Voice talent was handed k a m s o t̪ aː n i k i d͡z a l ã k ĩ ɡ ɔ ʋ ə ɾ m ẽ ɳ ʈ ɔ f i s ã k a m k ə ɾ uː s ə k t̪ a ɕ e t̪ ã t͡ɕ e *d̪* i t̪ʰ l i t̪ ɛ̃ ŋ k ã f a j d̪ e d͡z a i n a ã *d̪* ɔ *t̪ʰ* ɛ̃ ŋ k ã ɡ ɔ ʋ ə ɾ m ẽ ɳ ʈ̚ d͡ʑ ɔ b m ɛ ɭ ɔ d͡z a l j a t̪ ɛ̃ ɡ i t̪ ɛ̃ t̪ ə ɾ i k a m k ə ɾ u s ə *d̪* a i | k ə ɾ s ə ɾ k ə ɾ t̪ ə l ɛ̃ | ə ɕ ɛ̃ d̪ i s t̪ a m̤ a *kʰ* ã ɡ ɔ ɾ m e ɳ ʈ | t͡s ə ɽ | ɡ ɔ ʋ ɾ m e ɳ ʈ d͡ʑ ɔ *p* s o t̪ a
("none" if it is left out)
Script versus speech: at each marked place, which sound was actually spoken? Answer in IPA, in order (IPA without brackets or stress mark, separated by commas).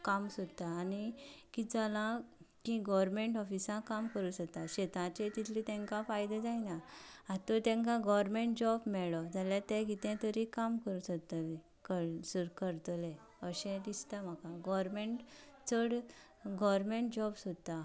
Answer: t̪, t̪, t̪, t̪, k, b